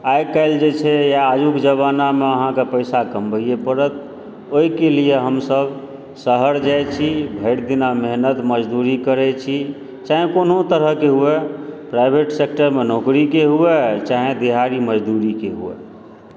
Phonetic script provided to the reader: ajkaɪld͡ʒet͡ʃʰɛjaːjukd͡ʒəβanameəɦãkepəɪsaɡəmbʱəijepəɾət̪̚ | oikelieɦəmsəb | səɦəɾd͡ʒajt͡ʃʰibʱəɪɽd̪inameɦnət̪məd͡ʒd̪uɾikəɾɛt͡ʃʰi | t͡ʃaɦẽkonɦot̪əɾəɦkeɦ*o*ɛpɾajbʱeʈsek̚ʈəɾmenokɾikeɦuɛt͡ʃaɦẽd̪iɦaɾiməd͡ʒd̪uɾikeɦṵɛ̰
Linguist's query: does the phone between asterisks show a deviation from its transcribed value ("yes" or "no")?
yes